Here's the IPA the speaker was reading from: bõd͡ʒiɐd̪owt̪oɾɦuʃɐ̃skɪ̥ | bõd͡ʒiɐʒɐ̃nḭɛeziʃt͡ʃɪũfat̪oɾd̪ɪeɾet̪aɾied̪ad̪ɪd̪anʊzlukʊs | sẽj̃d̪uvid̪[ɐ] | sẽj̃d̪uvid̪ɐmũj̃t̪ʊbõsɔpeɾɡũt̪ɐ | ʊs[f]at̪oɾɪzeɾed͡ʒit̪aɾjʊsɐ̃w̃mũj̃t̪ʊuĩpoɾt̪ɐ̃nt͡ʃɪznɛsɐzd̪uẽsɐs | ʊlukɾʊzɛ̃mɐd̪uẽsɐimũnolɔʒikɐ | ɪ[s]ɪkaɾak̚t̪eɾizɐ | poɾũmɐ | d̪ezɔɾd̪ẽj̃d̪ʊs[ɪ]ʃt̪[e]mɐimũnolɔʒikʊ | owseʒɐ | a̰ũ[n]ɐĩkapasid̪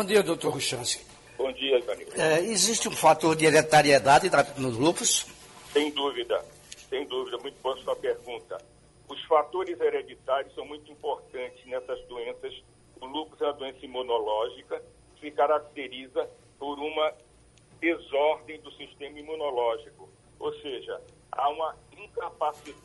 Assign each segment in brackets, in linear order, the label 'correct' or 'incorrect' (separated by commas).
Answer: correct, correct, correct, incorrect, incorrect, incorrect